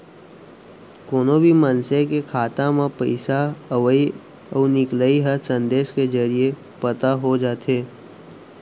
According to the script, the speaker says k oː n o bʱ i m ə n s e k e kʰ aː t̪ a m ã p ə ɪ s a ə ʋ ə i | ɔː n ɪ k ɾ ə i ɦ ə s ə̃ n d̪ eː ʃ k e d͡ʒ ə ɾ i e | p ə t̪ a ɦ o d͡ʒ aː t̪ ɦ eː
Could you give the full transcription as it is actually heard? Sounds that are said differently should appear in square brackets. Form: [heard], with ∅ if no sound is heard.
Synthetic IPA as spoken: k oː n o bʱ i m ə n s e k e kʰ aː t̪ a m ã p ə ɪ s a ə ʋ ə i | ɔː n ɪ k [l] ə i ɦ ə s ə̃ n d̪ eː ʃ k e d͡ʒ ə ɾ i e | p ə t̪ a ɦ o d͡ʒ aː t̪ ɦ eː

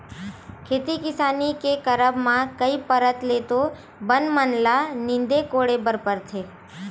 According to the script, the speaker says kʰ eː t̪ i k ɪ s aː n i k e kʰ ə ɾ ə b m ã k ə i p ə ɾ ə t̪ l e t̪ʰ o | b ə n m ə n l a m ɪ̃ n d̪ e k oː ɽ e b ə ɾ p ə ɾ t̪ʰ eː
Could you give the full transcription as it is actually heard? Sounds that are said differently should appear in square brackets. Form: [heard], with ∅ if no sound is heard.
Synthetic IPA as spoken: kʰ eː t̪ i k ɪ s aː n i k e [k] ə ɾ ə b m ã k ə i p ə ɾ ə t̪ l e [t̪] o | b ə n m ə n l a [n] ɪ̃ n d̪ e k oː ɽ e b ə ɾ p ə ɾ t̪ʰ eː

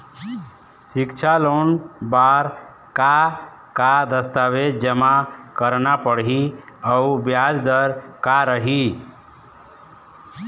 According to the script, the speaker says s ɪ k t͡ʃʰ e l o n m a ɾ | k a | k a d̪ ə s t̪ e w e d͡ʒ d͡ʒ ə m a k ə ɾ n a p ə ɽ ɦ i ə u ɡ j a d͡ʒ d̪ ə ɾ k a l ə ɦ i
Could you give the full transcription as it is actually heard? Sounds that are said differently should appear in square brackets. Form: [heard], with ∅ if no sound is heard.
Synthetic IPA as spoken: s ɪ k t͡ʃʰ [a] l o n [b] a ɾ | k a | k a d̪ ə s t̪ [a] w e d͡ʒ d͡ʒ ə m a k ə ɾ n a p ə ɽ ɦ i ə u [b] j a d͡ʒ d̪ ə ɾ k a [ɾ] ə ɦ i

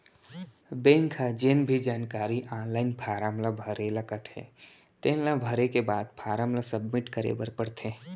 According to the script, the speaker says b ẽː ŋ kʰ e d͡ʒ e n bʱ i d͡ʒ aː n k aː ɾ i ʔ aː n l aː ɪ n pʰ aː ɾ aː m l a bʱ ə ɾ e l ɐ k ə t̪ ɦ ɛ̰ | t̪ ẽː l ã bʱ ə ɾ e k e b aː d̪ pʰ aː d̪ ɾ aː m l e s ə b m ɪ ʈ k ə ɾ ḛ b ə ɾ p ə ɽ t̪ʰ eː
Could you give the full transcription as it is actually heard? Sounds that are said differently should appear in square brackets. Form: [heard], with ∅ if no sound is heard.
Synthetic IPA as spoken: b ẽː ŋ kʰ [a] d͡ʒ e n bʱ i d͡ʒ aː n k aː ɾ i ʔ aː n l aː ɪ n pʰ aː ɾ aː m l a bʱ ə ɾ e l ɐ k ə t̪ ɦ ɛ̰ | t̪ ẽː l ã bʱ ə ɾ e k e b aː d̪ pʰ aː [∅] ɾ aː m l [a] s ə b m ɪ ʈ k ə ɾ ḛ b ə ɾ p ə ɽ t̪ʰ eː

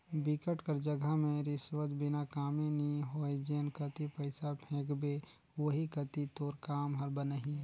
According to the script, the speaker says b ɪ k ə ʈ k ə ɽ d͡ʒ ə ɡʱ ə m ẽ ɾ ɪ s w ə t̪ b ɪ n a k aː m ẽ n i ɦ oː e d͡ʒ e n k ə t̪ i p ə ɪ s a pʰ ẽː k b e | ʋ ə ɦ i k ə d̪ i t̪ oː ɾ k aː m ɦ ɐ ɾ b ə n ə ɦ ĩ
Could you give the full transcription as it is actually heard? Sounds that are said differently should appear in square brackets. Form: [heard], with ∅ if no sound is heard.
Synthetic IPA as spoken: b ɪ k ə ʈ k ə [ɾ] d͡ʒ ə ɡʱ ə m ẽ ɾ ɪ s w ə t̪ b ɪ n a k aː m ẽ n i ɦ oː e d͡ʒ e n k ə t̪ i p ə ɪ s a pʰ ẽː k b e | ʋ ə ɦ i k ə [t̪] i t̪ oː ɾ k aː m ɦ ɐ ɾ b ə n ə ɦ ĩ

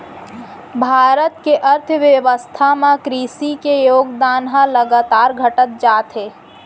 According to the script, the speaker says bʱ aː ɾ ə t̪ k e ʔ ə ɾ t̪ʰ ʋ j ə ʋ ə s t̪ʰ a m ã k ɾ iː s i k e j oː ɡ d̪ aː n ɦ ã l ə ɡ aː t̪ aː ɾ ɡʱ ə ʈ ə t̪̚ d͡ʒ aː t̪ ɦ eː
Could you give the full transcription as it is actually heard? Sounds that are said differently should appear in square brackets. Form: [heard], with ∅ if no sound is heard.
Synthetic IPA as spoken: bʱ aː ɾ ə t̪ k e ʔ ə ɾ t̪ʰ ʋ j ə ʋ ə s t̪ʰ a m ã k ɾ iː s i k e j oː ɡ d̪ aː n ɦ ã l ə ɡ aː t̪ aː ɾ ɡʱ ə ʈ ə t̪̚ d͡ʒ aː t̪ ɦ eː

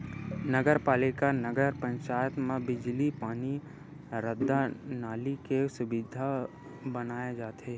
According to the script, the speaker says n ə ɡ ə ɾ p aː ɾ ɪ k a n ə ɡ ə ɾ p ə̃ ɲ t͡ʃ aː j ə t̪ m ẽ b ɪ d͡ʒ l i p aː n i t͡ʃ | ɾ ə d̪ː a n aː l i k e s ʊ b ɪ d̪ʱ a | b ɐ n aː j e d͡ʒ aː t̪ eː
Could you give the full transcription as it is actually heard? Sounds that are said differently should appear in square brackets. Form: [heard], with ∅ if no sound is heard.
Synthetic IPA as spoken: n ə ɡ ə ɾ p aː [l] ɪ k a n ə ɡ ə ɾ p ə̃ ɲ t͡ʃ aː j ə t̪ m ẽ b ɪ d͡ʒ l i p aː n i [∅] | ɾ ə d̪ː a n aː l i k e s ʊ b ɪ d̪ʱ a | b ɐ n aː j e d͡ʒ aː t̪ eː

